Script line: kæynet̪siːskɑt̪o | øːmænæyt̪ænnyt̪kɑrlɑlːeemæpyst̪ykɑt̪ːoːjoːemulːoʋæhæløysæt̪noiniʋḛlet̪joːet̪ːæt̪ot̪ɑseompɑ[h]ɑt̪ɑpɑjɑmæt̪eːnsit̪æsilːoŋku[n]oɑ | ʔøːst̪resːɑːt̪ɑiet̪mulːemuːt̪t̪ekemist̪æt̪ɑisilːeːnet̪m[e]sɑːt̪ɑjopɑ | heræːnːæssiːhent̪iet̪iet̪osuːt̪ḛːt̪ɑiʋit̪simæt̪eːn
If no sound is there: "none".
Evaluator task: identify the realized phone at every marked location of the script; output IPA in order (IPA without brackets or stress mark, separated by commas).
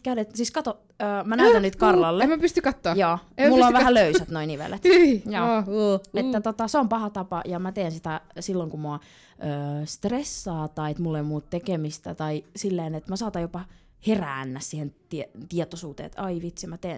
h, m, æ